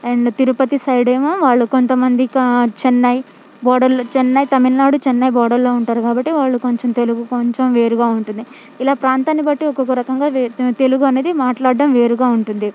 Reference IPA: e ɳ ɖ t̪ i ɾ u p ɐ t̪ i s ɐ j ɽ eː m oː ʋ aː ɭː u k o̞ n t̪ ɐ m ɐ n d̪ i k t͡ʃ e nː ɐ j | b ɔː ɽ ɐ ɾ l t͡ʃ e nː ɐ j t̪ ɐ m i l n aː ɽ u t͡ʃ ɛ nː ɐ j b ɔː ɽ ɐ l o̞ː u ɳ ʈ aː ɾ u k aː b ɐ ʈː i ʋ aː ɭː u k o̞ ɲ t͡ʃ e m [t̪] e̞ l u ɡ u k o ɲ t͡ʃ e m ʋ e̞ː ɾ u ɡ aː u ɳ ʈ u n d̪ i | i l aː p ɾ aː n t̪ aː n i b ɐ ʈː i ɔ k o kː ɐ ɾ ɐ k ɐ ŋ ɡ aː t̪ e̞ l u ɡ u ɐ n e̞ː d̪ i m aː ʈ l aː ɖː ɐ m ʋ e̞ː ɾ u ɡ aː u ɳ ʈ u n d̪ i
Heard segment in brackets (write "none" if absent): t̪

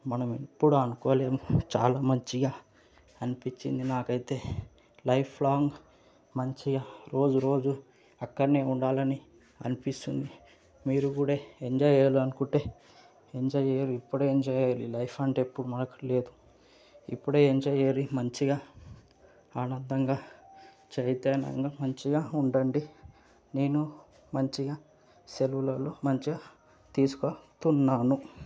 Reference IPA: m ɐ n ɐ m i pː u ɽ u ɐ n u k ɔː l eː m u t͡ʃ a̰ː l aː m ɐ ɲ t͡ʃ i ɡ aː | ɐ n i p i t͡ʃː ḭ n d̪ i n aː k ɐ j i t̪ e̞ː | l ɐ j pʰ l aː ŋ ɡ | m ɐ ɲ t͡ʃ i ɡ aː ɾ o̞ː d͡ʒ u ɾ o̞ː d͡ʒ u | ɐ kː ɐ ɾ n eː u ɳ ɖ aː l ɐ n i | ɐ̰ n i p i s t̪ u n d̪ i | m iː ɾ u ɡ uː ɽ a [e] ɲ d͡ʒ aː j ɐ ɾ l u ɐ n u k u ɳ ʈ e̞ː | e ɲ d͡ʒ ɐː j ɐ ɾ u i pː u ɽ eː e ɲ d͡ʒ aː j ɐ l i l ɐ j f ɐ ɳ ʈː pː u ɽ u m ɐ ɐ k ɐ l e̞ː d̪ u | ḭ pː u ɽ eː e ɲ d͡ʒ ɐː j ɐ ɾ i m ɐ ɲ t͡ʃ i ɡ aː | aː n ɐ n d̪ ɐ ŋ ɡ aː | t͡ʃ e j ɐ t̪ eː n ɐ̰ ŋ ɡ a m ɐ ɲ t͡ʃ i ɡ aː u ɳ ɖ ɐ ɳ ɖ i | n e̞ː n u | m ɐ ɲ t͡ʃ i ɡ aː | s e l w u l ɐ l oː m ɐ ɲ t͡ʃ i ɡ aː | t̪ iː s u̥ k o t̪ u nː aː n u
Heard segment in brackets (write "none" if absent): e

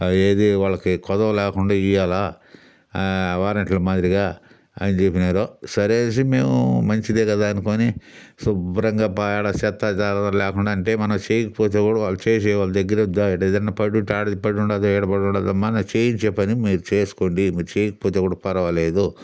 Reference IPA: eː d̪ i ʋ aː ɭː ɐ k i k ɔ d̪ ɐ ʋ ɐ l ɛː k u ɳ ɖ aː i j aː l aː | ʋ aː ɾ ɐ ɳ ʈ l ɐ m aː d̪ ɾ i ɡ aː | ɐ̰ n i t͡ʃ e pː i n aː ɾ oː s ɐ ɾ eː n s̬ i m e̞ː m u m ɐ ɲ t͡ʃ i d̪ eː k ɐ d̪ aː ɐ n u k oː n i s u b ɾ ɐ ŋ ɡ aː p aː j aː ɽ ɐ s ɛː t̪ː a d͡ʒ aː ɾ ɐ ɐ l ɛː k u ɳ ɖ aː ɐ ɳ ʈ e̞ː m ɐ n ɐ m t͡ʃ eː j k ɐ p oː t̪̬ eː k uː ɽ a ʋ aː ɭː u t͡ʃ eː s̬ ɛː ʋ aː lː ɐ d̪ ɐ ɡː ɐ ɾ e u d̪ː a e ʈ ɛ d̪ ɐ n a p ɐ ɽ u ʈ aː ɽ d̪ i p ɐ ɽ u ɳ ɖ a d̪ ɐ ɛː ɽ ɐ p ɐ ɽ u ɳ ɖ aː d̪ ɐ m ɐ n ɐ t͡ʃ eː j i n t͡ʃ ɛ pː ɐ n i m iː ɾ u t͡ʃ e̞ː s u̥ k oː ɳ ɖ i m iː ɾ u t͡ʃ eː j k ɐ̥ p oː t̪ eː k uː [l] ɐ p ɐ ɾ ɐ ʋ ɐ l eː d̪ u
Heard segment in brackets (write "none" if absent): ɽ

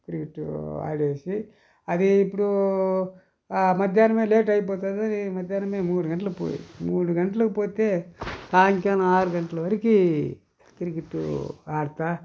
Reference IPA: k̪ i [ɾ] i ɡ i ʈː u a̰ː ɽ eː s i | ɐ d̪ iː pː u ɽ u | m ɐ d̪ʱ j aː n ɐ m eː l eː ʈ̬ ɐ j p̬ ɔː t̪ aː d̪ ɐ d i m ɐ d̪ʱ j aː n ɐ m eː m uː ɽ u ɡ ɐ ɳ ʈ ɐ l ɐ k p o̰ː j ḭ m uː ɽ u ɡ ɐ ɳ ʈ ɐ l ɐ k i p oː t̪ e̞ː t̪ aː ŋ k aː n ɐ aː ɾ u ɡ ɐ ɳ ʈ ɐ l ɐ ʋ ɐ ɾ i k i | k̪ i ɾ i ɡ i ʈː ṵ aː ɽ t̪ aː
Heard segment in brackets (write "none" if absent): ɾ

